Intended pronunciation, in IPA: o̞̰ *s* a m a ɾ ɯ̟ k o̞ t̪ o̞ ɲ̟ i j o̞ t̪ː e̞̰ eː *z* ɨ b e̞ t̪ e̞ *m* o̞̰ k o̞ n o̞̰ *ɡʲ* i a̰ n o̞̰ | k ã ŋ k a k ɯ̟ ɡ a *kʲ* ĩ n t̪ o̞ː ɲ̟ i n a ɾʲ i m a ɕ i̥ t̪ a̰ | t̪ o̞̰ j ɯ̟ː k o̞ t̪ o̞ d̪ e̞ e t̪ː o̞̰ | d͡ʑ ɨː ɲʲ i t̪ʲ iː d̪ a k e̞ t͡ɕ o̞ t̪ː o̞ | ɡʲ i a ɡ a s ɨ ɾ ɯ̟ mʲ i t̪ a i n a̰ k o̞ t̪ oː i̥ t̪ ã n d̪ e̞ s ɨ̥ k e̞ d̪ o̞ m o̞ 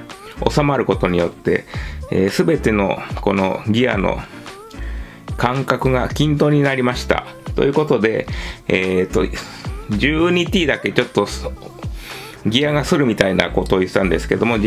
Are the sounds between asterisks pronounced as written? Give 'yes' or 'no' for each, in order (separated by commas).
yes, no, no, yes, yes